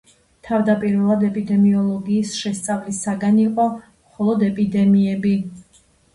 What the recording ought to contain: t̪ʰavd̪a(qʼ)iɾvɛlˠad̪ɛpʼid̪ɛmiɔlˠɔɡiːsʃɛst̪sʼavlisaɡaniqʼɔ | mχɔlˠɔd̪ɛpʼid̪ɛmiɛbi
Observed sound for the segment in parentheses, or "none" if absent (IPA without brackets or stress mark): pʼ